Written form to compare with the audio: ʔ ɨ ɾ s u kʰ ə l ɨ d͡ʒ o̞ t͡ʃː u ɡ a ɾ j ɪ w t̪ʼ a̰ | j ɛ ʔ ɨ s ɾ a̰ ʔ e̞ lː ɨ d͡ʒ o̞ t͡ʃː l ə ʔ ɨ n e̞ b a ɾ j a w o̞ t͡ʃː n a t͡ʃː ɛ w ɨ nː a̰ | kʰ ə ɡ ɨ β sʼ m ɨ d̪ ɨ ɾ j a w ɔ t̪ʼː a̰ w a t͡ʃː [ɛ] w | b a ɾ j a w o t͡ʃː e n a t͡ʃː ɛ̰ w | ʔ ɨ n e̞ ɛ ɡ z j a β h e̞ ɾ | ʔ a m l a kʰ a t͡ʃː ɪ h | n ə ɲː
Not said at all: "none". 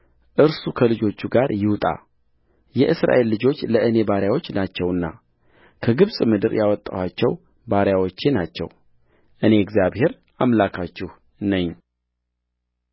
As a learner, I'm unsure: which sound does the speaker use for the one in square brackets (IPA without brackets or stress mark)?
ɛ